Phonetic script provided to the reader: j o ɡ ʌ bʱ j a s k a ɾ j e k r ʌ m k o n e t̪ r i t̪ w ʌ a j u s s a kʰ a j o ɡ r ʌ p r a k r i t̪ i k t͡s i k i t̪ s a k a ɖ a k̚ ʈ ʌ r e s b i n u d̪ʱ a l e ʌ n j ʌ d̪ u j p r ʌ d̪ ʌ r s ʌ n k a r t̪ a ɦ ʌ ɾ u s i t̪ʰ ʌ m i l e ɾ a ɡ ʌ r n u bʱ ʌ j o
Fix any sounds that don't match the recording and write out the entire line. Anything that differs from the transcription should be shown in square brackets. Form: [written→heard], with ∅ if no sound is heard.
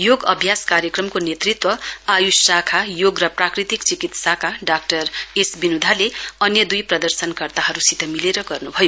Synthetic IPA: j o ɡ ʌ bʱ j a s k a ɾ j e k r ʌ m k o n e t̪ r i t̪ w ʌ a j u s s a kʰ a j o ɡ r ʌ p r a k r i t̪ i k t͡s i k i t̪ s a k a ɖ a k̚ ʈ ʌ r e s b i n u d̪ʱ a l e ʌ n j ʌ d̪ u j p r ʌ d̪ ʌ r s ʌ n k [a→ʌ] r t̪ a ɦ ʌ ɾ u s i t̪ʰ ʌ m i l e ɾ [a→ʌ] ɡ ʌ r n u bʱ ʌ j o